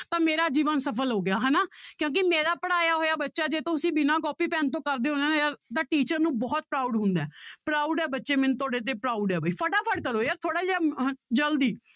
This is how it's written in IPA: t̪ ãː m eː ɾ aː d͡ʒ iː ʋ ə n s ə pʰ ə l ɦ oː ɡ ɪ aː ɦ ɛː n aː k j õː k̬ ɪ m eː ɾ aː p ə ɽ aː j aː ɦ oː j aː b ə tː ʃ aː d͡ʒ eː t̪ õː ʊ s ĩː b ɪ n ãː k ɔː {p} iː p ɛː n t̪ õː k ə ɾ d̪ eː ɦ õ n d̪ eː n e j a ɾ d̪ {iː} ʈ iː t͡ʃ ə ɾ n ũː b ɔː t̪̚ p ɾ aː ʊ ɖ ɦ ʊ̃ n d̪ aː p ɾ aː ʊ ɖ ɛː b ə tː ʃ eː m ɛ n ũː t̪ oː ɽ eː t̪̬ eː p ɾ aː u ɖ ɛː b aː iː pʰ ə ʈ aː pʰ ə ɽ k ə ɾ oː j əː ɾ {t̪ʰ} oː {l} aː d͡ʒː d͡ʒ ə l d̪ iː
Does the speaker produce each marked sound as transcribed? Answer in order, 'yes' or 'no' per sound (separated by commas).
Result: yes, no, yes, no